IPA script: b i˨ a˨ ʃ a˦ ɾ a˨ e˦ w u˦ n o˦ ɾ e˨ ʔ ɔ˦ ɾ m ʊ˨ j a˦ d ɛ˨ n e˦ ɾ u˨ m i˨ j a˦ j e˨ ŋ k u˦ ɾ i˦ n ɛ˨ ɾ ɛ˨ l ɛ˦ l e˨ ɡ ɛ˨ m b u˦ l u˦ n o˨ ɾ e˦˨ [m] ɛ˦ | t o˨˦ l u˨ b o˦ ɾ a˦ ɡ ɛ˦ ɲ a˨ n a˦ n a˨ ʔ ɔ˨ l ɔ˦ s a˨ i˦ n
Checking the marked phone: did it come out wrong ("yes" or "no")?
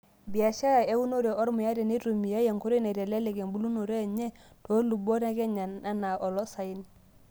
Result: yes